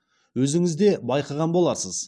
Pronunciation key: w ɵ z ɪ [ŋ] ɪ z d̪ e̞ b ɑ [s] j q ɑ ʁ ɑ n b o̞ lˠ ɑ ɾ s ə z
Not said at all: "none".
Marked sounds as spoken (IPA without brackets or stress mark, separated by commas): ŋ, none